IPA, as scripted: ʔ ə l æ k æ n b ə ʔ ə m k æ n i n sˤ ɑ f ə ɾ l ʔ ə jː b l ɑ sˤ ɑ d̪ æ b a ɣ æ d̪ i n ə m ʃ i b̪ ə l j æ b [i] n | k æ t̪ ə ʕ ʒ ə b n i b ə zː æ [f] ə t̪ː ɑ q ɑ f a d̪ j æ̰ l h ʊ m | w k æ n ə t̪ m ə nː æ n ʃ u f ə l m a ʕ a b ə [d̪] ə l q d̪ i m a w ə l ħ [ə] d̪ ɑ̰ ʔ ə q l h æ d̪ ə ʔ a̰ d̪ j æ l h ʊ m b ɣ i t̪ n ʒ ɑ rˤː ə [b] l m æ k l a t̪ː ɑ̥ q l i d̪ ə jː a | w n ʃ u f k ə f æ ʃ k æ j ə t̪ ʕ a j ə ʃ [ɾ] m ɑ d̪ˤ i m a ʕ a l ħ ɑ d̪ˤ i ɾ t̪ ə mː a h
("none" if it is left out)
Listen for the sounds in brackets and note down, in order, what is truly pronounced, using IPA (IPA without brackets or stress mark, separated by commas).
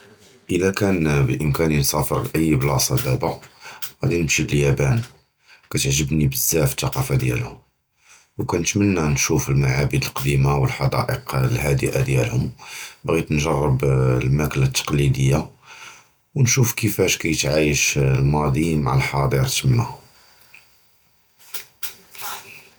æ, f, d̪, ɑ, b, l